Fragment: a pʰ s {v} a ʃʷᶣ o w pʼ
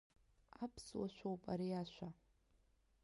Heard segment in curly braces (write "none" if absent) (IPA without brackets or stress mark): w